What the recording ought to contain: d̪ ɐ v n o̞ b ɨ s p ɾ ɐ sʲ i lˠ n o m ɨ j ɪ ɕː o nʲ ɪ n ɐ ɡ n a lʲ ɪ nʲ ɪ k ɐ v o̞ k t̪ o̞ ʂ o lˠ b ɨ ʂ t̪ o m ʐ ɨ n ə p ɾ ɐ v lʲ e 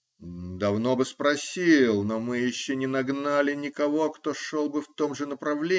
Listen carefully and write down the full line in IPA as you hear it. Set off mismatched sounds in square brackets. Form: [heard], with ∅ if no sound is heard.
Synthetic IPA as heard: d̪ ɐ v n o̞ b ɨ s p ɾ ɐ sʲ i lˠ n o m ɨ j ɪ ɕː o nʲ ɪ n ɐ ɡ n a lʲ ɪ nʲ ɪ k ɐ v o̞ k t̪ o̞ ʂ o lˠ b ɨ [f] t̪ o m ʐ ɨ n ə p ɾ ɐ v lʲ e